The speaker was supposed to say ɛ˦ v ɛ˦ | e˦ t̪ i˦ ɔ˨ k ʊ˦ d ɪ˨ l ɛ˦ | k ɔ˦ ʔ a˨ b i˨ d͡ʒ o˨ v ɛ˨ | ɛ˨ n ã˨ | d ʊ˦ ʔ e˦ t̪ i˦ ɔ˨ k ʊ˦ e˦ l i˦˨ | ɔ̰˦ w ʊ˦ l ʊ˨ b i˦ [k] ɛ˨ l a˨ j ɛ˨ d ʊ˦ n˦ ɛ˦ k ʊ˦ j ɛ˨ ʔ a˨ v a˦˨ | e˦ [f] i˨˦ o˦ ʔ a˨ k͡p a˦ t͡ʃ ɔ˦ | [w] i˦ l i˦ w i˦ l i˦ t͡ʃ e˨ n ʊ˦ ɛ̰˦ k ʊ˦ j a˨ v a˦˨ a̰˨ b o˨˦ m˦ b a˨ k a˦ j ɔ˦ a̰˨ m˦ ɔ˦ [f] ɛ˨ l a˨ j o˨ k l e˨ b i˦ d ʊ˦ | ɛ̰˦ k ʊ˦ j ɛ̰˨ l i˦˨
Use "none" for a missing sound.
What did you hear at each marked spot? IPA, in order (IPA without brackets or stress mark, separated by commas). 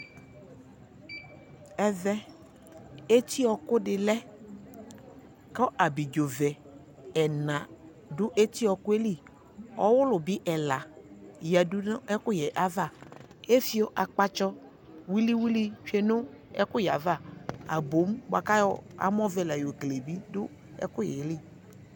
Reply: ʔ, f, w, v